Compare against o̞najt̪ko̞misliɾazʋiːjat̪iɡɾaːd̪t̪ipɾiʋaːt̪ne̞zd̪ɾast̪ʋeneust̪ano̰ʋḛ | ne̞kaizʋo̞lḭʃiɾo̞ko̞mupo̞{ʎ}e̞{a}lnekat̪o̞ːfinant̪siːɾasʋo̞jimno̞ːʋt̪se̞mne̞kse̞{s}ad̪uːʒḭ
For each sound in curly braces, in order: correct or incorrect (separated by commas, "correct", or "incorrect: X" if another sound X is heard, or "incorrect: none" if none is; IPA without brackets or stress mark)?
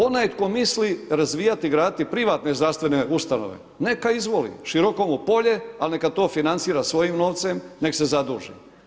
correct, correct, incorrect: z